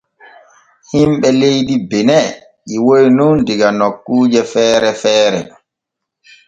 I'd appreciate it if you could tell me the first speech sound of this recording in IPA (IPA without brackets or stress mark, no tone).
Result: h